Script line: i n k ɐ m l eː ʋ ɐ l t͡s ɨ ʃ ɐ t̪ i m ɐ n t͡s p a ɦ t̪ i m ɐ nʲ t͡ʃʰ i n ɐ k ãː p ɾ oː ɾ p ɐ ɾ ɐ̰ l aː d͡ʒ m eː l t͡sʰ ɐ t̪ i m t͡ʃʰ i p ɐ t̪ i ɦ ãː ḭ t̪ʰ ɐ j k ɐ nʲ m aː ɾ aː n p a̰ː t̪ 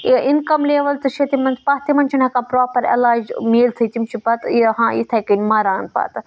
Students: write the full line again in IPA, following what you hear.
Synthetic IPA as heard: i n k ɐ m l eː ʋ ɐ l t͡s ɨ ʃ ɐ t̪ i m ɐ n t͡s p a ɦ t̪ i m ɐ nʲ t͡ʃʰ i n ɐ k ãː p ɾ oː p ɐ ɾ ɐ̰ l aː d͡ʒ m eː l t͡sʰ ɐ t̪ i m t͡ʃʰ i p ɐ t̪ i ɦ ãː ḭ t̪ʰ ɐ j k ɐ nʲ m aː ɾ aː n p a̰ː t̪